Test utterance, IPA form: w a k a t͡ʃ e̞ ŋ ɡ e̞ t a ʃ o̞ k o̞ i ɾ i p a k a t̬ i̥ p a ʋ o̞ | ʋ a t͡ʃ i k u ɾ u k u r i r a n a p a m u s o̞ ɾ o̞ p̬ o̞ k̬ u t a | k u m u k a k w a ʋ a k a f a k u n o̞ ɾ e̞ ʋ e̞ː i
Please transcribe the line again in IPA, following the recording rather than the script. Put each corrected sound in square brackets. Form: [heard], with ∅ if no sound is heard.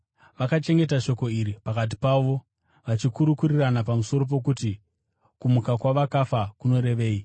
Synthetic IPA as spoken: [ʋ] a k a t͡ʃ e̞ ŋ ɡ e̞ t a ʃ o̞ k o̞ i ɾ i p a k a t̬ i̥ p a ʋ o̞ | ʋ a t͡ʃ i k u ɾ u k u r i r a n a p a m u s o̞ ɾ o̞ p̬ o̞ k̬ u t [i] | k u m u k a k w a ʋ a k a f a k u n o̞ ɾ e̞ ʋ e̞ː i